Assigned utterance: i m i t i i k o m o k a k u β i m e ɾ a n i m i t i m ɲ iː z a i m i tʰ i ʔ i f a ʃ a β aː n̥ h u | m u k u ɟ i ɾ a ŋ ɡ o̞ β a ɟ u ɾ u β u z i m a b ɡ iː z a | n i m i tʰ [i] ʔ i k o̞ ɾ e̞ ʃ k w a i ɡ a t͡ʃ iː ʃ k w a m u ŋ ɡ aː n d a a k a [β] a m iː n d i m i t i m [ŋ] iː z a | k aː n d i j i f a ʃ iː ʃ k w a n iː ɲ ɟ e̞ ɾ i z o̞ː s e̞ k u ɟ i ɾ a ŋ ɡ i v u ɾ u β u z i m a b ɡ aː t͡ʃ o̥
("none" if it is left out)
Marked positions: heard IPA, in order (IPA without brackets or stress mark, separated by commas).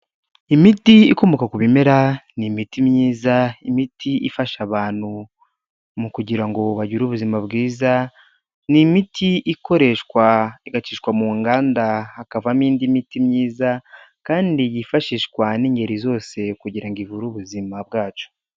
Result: i, v, ɲ